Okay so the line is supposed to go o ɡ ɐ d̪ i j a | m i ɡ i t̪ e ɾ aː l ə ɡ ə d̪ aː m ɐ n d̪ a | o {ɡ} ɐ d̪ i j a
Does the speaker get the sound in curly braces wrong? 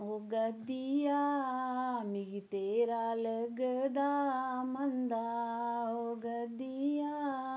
no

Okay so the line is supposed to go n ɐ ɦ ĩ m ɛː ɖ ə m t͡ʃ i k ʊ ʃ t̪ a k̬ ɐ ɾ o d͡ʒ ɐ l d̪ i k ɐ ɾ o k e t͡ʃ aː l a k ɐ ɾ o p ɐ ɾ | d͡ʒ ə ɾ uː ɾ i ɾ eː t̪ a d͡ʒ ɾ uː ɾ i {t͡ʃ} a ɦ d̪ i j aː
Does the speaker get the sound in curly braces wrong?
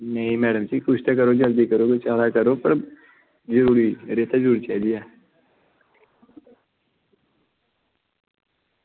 no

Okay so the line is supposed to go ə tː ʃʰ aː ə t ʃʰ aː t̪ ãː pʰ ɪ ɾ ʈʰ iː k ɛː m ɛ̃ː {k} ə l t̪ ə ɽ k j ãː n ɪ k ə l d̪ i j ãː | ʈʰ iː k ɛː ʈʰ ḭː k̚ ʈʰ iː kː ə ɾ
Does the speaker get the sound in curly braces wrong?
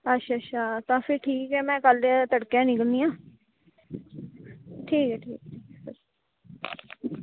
no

